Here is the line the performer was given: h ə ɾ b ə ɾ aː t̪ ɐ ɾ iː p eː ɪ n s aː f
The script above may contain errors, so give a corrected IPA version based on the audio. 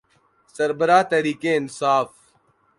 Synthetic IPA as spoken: s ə ɾ b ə ɾ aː t̪ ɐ ɾ iː k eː ɪ n s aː f

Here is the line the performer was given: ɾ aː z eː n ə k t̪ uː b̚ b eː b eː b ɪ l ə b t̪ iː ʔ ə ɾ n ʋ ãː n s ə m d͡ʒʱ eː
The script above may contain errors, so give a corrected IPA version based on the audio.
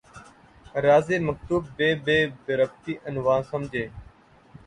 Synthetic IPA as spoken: ɾ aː z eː m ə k t̪ uː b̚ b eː b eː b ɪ ɾ ə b t̪ iː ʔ ə n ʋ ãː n s ə m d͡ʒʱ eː

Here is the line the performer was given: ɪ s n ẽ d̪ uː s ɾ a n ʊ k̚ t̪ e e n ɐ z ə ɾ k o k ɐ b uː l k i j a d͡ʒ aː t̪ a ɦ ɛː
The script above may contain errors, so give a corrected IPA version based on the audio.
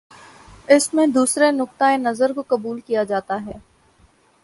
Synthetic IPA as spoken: ɪ s m ẽ d̪ uː s ɾ e n ʊ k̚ t̪ a e n ɐ z ə ɾ k o k ɐ b uː l k i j a d͡ʒ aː t̪ a ɦ ɛː

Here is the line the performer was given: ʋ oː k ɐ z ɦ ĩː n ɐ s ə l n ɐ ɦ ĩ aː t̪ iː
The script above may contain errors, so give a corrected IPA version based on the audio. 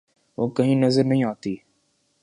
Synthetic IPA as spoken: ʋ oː k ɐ ɦ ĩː n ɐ z ə ɾ n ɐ ɦ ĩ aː t̪ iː

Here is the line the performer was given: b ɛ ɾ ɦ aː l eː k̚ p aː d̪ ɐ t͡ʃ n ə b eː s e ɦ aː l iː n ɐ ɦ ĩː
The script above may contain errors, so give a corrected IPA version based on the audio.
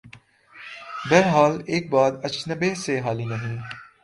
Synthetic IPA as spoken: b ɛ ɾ ɦ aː l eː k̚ b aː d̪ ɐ t͡ʃ n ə b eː s e ɦ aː l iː n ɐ ɦ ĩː

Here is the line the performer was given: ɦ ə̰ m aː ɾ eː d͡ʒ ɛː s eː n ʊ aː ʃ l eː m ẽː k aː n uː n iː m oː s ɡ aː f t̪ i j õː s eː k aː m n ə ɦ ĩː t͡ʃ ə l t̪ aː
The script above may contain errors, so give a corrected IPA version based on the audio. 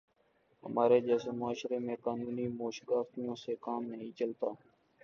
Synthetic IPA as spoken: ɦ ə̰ m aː ɾ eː d͡ʒ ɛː s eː m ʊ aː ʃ ɾ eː m ẽː k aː n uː n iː m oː ʃ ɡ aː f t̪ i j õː s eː k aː m n ə ɦ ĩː t͡ʃ ə l t̪ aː

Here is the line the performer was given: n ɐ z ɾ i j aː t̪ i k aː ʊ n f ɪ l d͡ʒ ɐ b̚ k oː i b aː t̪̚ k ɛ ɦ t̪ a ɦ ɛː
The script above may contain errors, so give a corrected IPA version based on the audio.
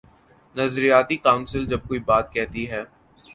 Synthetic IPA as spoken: n ɐ z ɾ i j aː t̪ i k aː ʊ n s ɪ l d͡ʒ ɐ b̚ k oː i b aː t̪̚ k ɛ ɦ t̪ i ɦ ɛː

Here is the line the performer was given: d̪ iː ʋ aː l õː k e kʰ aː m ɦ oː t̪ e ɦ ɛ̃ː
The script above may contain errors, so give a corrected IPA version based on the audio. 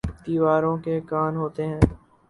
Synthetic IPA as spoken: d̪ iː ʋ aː ɾ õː k e k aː n ɦ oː t̪ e ɦ ɛ̃ː

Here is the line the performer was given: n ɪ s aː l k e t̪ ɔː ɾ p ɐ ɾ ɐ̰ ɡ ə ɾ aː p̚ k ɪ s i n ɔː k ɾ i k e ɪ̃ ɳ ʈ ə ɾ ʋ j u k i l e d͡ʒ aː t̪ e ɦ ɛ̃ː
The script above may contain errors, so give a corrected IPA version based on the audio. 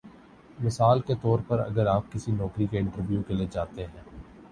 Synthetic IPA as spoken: m ɪ s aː l k e t̪ ɔː ɾ p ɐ ɾ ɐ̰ ɡ ə ɾ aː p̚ k ɪ s i n ɔː k ɾ i k e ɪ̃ ɳ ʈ ə ɾ ʋ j u k e l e d͡ʒ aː t̪ e ɦ ɛ̃ː

